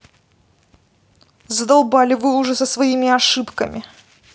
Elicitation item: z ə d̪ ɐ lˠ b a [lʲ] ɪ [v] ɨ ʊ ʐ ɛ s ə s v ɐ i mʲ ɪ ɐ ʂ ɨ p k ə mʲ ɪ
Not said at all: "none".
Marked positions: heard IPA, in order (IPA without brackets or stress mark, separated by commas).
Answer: lʲ, v